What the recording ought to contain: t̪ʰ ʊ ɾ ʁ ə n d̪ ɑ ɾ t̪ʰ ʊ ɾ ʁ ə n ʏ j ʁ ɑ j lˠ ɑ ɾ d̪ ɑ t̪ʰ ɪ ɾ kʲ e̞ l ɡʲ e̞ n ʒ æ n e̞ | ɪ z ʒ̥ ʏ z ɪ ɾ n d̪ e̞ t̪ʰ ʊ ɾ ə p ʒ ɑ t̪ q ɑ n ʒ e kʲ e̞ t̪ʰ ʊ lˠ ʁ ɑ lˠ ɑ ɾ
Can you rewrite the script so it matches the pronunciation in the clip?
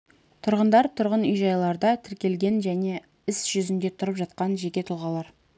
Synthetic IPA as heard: t̪ʰ ʊ ɾ ʁ ə n d̪ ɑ ɾ t̪ʰ ʊ ɾ ʁ ə n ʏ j ʒ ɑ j lˠ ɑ ɾ d̪ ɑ t̪ʰ ɪ ɾ kʲ e̞ l ɡʲ e̞ n ʒ æ n e̞ | ɪ s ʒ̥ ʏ z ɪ n d̪ e̞ t̪ʰ ʊ ɾ ə p ʒ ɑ t̪ q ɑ n ʒ e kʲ e̞ t̪ʰ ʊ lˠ ʁ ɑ lˠ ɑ ɾ

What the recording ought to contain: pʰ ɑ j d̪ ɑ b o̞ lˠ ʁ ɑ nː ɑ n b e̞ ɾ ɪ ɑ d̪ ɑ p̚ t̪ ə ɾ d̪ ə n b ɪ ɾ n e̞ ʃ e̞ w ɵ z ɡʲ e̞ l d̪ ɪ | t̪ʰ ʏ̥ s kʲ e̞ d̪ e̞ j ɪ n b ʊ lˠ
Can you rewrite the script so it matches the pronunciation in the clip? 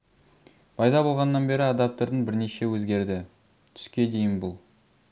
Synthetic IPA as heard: pʰ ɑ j d̪ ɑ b o̞ lˠ ʁ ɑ nː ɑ n b e̞ ɾ ɪ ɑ d̪ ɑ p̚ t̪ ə ɾ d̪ ə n b ɪ ɾ n e̞ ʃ e̞ w ɵ z ɡʲ e̞ ɾ d̪ ɪ | t̪ʰ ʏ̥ s kʲ e̞ d̪ e̞ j ɪ n b ʊ lˠ

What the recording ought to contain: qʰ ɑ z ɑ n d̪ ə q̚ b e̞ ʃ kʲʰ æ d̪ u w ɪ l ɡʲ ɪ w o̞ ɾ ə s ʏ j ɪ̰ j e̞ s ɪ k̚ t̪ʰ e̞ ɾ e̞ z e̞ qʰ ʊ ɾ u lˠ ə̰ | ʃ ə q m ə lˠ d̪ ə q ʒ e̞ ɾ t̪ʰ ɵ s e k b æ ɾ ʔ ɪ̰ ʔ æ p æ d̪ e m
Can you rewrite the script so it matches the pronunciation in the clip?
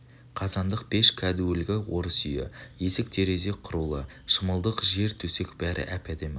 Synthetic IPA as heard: qʰ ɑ z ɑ n d̪ ə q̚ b e̞ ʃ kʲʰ æ d̪ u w ɪ l ɡʲ ɪ w o̞ ɾ ə s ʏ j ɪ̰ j e̞ s ɪ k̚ t̪ʰ e̞ ɾ e̞ z e̞ qʰ ʊ ɾ u lˠ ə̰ | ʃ ə m ə lˠ d̪ ə q ʒ e̞ ɾ t̪ʰ ɵ s e k b æ ɾ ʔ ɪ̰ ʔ æ p æ d̪ e m

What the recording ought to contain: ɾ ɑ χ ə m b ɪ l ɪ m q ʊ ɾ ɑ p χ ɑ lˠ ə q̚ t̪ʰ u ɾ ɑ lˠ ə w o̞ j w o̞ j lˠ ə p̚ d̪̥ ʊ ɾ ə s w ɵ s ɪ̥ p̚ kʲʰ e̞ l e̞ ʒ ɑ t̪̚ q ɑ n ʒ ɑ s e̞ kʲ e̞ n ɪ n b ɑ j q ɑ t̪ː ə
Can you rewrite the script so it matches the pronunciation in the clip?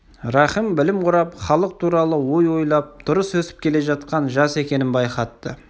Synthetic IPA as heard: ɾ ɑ χ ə m b ɪ l ɪ m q ʊ ɾ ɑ p χ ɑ lˠ ə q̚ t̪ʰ u ɾ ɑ lˠ ə w o̞ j w o̞ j lˠ ɑ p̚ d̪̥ ʊ ɾ ə s w ɵ s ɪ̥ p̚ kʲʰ e̞ l e̞ ʒ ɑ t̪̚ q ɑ n ʒ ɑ s e̞ kʲ e̞ n ɪ n b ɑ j q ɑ t̪ː ə

